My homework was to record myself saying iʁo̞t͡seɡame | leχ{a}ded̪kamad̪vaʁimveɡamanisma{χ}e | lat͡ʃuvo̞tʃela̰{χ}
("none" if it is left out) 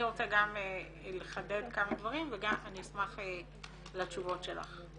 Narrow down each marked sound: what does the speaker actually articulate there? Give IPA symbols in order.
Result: a, χ, χ

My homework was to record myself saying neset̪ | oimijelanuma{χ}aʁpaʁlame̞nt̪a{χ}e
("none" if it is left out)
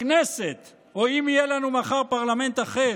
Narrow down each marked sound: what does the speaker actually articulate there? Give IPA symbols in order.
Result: χ, χ

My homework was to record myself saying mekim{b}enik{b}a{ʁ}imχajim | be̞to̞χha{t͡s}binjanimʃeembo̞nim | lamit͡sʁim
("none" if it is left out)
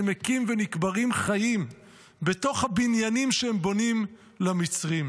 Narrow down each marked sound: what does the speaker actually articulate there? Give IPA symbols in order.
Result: v, b, ʁ, none

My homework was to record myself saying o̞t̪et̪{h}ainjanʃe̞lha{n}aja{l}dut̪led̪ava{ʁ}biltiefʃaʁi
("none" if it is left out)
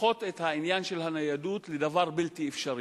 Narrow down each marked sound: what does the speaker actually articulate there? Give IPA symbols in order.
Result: h, n, none, ʁ

